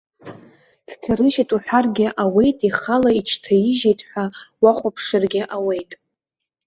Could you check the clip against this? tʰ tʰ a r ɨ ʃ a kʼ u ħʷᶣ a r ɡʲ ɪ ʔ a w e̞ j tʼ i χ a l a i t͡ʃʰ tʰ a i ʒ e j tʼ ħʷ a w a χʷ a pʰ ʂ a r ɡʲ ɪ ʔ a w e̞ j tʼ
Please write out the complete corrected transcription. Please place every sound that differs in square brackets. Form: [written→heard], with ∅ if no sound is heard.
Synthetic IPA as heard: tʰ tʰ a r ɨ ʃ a [kʼ→tʼ] u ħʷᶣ a r ɡʲ ɪ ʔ a w e̞ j tʼ i χ a l a i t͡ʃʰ tʰ a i ʒ e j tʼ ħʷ a w a χʷ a pʰ ʂ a r ɡʲ ɪ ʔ a w e̞ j tʼ